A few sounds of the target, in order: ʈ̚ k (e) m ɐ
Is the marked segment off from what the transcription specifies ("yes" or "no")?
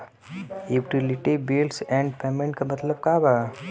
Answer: yes